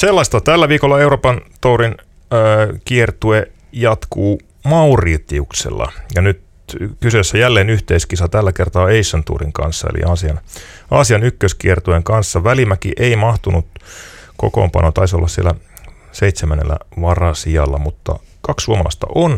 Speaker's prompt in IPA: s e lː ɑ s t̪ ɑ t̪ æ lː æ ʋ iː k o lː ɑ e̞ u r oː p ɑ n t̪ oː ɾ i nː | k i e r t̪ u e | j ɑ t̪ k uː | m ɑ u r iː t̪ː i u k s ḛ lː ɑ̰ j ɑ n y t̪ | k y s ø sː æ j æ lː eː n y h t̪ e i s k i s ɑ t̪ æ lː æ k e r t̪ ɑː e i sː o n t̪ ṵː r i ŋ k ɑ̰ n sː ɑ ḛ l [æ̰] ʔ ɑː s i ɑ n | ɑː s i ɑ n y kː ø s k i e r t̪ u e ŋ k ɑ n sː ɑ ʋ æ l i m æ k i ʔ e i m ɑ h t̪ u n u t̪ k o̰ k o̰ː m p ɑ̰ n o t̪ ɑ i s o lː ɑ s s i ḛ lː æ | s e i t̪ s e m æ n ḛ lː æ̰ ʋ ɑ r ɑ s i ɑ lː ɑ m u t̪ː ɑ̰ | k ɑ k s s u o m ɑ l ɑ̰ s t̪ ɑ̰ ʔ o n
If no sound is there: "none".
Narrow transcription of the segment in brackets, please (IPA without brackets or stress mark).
ḭ